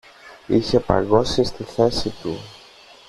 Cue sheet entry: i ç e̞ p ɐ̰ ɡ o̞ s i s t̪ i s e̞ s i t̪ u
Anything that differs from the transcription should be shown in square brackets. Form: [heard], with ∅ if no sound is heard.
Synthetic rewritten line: i ç e̞ p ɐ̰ ɡ o̞ s i s t̪ i [θ] e̞ s i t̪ u